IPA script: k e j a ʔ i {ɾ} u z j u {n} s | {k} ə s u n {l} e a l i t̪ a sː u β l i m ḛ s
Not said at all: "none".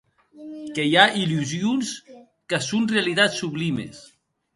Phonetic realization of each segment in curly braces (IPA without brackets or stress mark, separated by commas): l, n, k, r